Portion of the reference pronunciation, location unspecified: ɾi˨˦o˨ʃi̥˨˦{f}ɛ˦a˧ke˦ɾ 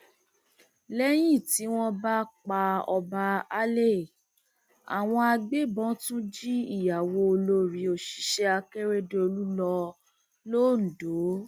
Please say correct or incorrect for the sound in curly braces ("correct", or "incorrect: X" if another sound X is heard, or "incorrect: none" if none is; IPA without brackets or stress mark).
incorrect: ʃ